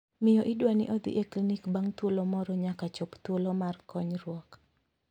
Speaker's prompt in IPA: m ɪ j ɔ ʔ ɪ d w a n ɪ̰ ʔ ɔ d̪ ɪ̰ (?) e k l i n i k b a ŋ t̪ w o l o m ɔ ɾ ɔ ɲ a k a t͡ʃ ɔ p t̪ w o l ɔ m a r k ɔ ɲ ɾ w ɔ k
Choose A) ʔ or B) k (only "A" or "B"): A